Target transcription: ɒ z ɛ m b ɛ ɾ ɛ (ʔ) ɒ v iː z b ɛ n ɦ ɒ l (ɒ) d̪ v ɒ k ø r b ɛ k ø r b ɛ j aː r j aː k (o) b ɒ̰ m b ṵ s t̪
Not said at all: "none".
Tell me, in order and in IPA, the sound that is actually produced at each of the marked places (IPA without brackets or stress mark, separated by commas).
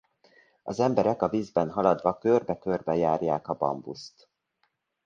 k, ɒ, ɒ